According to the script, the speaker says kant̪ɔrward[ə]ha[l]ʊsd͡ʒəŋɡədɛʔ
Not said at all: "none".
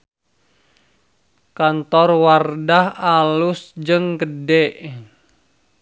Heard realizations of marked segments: a, l

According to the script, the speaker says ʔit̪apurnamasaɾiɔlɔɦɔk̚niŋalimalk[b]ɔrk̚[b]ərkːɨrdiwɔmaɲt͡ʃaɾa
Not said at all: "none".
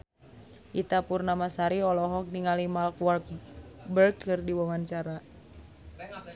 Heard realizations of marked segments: w, b

